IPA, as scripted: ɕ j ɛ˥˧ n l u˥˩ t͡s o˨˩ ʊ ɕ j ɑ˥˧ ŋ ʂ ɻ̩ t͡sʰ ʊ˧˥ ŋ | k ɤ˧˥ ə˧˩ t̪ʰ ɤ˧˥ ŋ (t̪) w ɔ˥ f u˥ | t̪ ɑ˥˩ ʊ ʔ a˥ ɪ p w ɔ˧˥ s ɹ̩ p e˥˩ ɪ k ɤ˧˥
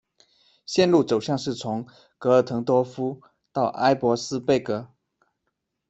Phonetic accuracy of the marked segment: correct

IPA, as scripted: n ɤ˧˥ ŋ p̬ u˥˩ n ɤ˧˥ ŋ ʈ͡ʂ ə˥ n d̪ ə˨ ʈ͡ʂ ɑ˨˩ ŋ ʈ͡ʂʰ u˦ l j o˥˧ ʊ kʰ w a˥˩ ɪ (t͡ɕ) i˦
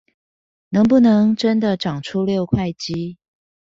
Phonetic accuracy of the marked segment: correct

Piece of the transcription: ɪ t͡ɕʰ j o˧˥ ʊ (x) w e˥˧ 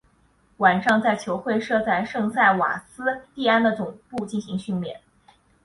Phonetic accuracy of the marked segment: correct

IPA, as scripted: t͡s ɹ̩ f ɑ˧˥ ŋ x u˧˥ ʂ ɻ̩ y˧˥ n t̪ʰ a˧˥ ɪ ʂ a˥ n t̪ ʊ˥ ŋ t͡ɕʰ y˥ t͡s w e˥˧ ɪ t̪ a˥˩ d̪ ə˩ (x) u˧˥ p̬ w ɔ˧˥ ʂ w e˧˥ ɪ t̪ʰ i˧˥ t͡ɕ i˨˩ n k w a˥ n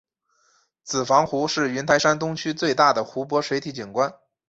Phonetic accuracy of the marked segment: correct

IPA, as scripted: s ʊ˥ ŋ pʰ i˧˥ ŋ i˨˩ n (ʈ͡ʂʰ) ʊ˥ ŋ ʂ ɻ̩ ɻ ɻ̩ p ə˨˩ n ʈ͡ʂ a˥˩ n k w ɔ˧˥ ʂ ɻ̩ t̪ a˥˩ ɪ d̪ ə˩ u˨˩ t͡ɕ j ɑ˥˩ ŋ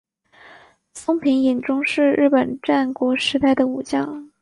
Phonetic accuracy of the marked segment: incorrect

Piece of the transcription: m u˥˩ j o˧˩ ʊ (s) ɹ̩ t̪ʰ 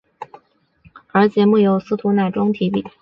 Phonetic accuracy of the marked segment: correct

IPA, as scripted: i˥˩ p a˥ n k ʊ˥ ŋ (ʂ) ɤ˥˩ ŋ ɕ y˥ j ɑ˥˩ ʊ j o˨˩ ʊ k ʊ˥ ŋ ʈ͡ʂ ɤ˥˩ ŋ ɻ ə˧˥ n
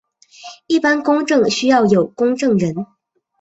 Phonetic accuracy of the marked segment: incorrect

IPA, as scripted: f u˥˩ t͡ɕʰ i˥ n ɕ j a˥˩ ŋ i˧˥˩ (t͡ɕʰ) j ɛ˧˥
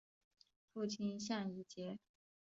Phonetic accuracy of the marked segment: incorrect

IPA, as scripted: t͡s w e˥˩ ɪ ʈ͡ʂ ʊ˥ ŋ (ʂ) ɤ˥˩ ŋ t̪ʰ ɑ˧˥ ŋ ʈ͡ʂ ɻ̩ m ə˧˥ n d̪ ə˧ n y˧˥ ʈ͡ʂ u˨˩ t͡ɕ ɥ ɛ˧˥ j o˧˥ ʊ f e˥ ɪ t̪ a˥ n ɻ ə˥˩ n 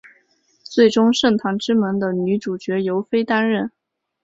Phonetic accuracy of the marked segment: correct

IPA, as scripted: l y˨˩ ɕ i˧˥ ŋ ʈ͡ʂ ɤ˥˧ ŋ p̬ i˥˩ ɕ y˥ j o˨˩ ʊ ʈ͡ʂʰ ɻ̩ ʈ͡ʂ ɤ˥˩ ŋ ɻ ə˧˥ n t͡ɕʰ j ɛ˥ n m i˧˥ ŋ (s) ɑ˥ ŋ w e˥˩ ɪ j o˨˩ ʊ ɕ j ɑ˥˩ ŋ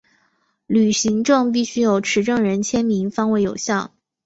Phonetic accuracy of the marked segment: incorrect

